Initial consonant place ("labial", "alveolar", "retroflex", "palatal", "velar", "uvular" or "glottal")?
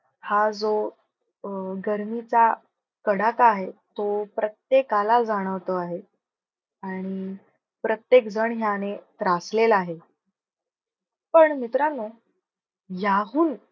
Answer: glottal